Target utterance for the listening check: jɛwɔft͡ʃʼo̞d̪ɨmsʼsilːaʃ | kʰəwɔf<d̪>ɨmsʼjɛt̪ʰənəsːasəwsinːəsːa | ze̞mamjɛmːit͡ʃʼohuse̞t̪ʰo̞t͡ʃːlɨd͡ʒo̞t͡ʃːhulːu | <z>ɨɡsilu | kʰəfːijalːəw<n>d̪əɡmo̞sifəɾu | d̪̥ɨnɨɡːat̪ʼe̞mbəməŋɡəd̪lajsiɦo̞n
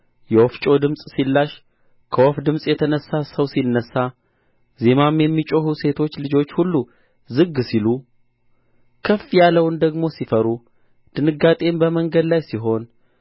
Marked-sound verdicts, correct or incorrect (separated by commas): correct, correct, correct